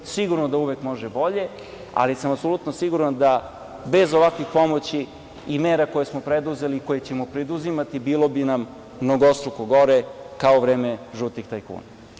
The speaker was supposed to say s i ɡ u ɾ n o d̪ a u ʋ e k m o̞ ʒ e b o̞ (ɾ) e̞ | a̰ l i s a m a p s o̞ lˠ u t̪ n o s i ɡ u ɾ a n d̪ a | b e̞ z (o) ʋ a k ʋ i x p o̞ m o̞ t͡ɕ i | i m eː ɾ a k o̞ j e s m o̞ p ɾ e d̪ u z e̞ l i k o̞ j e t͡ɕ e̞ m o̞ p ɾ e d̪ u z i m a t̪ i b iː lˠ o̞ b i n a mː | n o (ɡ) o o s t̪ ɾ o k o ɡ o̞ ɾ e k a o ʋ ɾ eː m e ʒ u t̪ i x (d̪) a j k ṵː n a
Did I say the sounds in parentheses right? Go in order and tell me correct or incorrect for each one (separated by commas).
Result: incorrect, correct, correct, incorrect